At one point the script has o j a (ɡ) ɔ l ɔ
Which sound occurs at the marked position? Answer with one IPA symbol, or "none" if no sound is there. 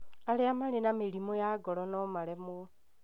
ɡ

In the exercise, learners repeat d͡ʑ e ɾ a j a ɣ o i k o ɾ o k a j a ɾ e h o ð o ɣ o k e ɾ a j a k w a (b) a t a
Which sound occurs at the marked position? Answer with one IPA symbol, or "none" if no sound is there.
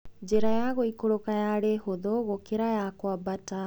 b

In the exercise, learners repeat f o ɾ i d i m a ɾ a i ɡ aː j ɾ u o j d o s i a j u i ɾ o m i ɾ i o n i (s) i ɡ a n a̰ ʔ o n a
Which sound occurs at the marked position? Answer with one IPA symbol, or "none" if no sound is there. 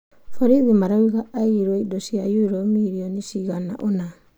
s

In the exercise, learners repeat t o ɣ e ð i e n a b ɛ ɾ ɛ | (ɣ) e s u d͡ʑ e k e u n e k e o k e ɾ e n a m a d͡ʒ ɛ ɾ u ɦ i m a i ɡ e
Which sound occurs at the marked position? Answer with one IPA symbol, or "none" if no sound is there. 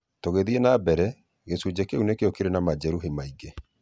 ɣ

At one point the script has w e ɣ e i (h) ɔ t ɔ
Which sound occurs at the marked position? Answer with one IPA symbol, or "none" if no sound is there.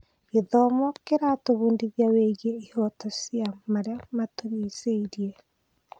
h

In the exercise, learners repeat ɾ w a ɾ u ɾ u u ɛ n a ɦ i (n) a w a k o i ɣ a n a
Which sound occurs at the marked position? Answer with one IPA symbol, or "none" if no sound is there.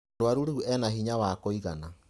ɲ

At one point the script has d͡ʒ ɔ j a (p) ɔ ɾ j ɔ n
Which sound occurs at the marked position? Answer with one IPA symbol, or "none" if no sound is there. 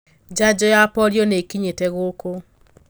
p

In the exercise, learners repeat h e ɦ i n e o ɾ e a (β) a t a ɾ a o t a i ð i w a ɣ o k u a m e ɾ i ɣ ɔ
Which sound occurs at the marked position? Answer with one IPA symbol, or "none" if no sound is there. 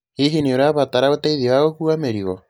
β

